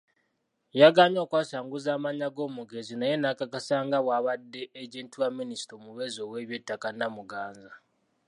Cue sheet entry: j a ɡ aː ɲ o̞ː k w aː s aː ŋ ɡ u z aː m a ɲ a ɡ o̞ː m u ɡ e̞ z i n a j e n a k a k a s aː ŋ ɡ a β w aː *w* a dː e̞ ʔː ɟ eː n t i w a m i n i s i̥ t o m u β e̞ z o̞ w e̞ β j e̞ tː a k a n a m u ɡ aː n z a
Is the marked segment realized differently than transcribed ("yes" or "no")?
yes